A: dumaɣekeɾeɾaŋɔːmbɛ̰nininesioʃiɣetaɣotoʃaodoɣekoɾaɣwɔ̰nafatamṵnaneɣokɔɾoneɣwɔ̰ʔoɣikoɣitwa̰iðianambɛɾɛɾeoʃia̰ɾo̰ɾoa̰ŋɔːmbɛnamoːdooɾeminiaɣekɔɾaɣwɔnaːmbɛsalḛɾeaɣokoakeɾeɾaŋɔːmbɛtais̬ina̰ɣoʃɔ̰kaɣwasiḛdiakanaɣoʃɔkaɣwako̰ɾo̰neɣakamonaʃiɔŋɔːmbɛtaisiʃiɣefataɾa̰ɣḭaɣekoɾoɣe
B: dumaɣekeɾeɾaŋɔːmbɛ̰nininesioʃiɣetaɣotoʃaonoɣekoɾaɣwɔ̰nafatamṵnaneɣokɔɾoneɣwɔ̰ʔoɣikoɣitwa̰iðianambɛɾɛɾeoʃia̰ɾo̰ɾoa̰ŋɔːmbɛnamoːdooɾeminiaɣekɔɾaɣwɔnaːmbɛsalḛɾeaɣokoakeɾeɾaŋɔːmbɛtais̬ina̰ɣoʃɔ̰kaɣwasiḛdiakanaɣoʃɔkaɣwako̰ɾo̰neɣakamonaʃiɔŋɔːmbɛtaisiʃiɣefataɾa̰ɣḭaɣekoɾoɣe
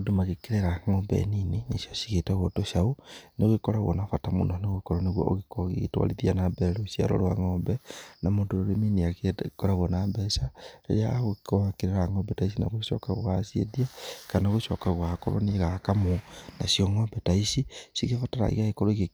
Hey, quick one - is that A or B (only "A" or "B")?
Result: B